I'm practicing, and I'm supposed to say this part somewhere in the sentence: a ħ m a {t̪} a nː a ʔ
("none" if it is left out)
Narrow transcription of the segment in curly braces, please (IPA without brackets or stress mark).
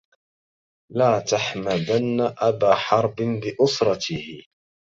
d̪